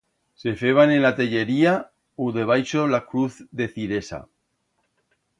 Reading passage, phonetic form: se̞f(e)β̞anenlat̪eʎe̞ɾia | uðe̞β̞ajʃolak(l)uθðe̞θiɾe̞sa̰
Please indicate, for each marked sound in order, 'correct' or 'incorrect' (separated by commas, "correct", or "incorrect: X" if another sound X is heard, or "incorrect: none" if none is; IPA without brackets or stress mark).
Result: correct, incorrect: ɾ